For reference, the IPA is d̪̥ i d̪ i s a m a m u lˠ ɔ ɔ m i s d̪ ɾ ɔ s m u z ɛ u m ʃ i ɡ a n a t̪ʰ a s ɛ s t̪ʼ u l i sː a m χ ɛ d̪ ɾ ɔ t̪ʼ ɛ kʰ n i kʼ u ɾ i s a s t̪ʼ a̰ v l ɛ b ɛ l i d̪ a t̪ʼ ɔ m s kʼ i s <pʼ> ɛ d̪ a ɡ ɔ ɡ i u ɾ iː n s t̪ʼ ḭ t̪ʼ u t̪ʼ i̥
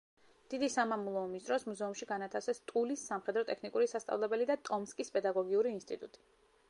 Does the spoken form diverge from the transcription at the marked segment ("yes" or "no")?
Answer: no